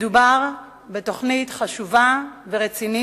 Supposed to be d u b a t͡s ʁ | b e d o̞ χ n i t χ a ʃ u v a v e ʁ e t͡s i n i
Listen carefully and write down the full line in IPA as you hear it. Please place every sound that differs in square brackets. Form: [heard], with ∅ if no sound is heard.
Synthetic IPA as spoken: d u b a [∅] ʁ | b e [t] o̞ χ n i t χ a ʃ u v a v e ʁ e t͡s i n i